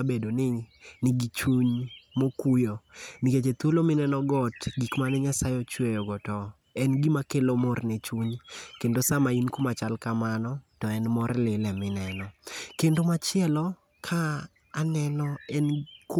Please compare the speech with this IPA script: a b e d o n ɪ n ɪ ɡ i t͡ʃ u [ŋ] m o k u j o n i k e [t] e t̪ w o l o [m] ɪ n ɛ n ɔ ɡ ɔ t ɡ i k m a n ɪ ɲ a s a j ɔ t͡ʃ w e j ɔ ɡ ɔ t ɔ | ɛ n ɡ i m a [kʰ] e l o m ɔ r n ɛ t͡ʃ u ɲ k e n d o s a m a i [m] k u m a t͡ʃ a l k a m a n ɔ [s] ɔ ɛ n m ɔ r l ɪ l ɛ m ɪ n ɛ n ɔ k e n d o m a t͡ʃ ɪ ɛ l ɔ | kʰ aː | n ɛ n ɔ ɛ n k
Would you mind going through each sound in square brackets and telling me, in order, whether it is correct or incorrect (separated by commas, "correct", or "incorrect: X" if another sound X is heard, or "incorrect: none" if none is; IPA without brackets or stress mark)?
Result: incorrect: ɲ, incorrect: t͡ʃ, correct, incorrect: k, incorrect: n, incorrect: t